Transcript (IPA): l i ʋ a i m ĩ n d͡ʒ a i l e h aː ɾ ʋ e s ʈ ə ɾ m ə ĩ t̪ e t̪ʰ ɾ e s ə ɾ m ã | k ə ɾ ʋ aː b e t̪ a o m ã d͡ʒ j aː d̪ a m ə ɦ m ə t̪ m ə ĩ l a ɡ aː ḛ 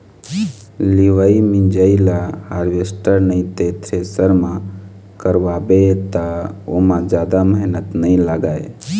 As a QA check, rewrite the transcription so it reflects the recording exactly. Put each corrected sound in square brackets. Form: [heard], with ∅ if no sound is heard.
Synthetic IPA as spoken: l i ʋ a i m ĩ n d͡ʒ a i l [a] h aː ɾ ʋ e s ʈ ə ɾ [n] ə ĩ t̪ e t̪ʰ ɾ e s ə ɾ m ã | k ə ɾ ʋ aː b e t̪ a o m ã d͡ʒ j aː d̪ a m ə ɦ [n] ə t̪ [n] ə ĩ l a ɡ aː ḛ

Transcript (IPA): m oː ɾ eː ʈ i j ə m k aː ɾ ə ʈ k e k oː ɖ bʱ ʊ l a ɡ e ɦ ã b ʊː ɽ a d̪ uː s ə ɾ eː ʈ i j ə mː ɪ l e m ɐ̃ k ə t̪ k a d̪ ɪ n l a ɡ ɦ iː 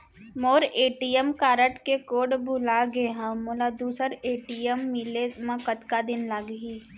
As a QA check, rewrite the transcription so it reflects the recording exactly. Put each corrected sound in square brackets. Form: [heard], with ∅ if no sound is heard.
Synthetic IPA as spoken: m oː ɾ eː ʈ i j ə m k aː ɾ ə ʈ k e k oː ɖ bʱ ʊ l a ɡ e ɦ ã [m] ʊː [l] a d̪ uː s ə ɾ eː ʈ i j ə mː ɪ l e m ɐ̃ k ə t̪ k a d̪ ɪ n l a ɡ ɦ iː

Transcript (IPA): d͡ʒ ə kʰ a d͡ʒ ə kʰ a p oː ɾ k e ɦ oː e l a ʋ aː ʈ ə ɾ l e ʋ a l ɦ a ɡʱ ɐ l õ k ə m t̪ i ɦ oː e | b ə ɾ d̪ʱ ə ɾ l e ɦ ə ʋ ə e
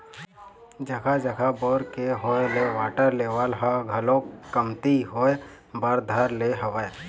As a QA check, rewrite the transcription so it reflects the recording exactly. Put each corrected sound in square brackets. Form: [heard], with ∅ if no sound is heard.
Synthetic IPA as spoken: d͡ʒ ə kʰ a d͡ʒ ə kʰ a [b] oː ɾ k e ɦ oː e l [e] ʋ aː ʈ ə ɾ l e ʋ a l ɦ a ɡʱ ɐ l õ k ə m t̪ i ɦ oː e | b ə ɾ d̪ʱ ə ɾ l e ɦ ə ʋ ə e

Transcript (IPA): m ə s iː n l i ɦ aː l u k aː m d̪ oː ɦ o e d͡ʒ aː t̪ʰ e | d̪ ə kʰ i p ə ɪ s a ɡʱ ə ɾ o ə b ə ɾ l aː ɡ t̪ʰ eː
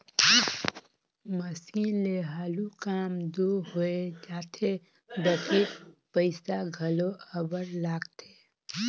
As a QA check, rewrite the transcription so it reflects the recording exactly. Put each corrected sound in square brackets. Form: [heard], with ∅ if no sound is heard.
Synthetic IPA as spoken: m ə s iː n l [e] ɦ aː l u k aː m d̪ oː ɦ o e d͡ʒ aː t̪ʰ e | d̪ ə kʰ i p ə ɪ s a ɡʱ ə [l] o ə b ə ɾ l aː ɡ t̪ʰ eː

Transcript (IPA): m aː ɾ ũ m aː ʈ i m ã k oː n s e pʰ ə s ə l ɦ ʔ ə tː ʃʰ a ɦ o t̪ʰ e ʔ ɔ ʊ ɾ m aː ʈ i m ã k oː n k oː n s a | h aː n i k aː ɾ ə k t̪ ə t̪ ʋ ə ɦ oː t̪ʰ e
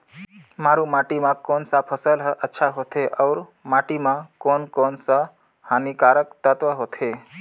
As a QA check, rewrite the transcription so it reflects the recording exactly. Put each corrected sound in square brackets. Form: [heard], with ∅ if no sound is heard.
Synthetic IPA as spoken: m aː ɾ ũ m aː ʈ i m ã k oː n s [a] pʰ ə s ə l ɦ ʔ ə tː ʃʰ a ɦ o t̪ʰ e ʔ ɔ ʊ ɾ m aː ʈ i m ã k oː n k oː n s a | h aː n i k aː ɾ ə k t̪ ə t̪ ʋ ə ɦ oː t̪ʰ e

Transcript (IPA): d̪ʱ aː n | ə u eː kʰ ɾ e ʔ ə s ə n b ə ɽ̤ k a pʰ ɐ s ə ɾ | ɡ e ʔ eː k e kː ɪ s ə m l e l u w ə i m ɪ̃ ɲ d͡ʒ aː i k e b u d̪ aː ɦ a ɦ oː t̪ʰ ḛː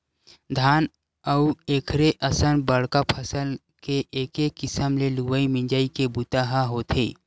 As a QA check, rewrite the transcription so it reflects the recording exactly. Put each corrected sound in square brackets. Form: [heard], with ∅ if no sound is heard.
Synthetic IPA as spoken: d̪ʱ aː n | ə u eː kʰ ɾ e ʔ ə s ə n b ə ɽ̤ k a pʰ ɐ s ə [l] | [k] e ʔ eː k e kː ɪ s ə m l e l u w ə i m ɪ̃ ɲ d͡ʒ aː i k e b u [t̪] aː ɦ a ɦ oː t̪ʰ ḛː

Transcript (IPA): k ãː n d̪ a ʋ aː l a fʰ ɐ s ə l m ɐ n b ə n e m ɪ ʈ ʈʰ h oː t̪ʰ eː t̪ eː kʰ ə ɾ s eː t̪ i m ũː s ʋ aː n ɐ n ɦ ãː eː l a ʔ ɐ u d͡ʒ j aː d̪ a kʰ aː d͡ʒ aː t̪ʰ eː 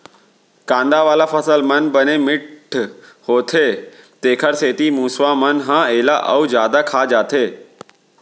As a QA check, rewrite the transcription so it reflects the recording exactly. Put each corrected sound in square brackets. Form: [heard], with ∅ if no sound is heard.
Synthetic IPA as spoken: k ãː n d̪ a ʋ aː l a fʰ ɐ s ə l m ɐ n b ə n e m ɪ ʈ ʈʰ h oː t̪ʰ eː t̪ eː kʰ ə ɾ s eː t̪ i m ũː s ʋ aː [m] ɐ n ɦ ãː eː l a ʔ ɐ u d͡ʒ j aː d̪ a kʰ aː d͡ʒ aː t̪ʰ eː

